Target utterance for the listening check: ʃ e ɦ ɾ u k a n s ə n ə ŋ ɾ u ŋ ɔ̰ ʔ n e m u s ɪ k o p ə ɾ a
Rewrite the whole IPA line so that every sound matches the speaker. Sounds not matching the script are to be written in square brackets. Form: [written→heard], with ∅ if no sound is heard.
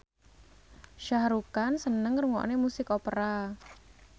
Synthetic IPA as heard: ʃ [e→a] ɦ ɾ u k a n s ə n ə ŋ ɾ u ŋ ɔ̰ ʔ n e m u s ɪ k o p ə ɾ a